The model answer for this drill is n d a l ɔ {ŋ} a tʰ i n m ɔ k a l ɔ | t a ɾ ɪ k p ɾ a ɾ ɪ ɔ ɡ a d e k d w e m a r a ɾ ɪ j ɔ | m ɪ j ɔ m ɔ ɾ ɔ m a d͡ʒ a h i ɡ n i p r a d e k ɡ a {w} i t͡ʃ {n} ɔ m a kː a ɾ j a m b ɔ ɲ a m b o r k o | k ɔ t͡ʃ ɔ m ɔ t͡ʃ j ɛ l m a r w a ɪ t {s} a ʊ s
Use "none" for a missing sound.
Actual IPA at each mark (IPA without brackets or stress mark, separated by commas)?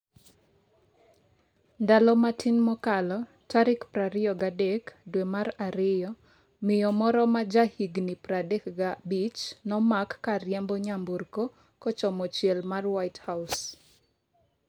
m, b, n, h